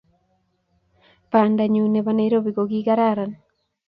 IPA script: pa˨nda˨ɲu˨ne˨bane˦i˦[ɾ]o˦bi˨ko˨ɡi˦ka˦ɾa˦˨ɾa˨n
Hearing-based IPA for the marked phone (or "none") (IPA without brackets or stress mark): ɾ